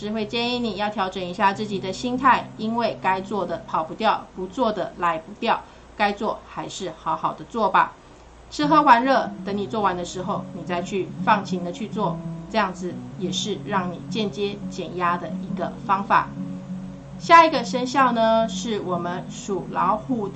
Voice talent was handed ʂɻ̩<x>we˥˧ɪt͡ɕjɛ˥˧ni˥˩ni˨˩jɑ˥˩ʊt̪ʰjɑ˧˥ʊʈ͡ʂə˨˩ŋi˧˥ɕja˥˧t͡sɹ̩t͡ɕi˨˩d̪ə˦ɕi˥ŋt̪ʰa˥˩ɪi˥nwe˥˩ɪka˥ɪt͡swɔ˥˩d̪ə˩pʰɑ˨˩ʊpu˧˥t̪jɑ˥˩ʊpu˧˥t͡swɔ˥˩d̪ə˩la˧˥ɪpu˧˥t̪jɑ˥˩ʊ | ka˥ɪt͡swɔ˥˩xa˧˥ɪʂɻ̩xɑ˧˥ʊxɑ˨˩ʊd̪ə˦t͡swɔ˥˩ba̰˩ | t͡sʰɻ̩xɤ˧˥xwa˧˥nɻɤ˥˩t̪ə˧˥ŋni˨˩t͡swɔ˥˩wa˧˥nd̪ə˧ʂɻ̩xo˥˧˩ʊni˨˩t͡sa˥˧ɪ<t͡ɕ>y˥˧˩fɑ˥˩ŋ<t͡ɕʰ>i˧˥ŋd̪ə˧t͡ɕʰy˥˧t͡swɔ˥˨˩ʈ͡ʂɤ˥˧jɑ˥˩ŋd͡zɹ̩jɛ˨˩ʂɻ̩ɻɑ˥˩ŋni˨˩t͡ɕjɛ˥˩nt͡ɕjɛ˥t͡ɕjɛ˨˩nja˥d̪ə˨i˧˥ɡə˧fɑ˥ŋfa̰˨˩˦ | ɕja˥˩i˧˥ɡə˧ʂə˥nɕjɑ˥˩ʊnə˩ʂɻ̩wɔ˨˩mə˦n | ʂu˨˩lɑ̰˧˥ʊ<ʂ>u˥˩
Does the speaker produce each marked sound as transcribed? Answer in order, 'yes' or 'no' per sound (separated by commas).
yes, no, yes, no